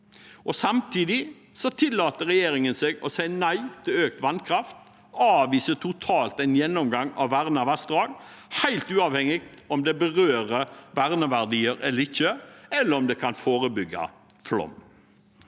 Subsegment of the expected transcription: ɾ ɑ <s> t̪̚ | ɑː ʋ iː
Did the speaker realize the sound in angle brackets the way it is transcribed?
no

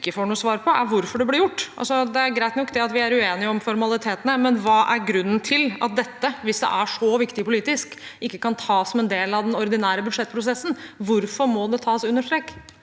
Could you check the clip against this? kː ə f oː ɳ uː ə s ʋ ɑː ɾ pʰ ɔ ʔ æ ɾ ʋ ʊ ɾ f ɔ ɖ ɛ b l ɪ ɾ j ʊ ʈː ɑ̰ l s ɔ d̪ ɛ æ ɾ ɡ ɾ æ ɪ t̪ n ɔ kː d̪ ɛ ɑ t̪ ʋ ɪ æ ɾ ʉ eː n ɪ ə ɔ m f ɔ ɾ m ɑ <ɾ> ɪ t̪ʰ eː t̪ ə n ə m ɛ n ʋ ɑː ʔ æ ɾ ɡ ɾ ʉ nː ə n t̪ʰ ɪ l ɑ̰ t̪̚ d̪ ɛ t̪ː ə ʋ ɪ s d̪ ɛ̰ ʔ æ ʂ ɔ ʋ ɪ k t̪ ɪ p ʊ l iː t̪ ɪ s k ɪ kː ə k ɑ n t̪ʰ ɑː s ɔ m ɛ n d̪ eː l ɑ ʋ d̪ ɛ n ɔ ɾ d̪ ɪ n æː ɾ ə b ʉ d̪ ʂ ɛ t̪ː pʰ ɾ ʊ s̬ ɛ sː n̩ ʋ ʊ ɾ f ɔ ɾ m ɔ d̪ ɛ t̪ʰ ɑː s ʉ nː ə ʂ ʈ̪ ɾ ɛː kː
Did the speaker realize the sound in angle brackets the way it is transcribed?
no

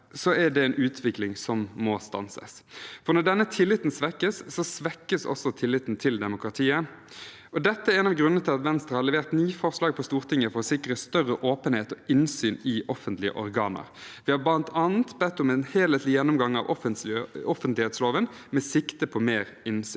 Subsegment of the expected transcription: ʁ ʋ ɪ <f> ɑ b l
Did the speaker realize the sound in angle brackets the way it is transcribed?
no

